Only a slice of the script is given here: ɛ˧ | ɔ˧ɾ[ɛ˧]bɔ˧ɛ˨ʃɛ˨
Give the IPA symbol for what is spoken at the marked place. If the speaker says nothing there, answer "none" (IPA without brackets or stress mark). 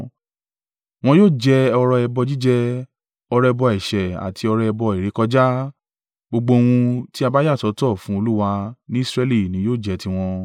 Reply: ɛ˧